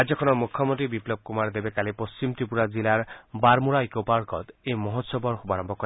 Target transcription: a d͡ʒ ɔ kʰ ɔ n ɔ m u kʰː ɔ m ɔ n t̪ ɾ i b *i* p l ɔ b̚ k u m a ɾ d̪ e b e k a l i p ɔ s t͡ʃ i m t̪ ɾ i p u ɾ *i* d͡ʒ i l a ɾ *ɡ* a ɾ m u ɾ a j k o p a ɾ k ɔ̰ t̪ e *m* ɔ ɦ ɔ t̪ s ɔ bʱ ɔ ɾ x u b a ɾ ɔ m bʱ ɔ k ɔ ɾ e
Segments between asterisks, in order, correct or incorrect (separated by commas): correct, incorrect, incorrect, correct